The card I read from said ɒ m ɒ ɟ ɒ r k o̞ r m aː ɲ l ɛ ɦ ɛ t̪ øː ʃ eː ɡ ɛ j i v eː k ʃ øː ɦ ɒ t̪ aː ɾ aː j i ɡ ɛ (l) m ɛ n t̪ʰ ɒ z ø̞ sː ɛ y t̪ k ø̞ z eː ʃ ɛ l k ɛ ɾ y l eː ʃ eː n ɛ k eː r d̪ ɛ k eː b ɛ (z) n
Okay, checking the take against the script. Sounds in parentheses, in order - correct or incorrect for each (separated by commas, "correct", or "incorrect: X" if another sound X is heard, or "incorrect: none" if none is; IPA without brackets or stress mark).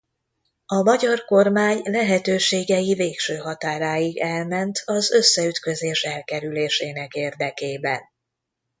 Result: correct, incorrect: none